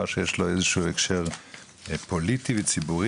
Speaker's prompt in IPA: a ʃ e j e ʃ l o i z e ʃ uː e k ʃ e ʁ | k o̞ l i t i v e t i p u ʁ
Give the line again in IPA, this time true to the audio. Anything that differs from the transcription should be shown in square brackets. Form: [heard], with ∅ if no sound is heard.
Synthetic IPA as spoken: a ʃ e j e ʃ l o [e] z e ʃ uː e k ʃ e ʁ | [p] o̞ l i t i v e [t͡s] i [b] u ʁ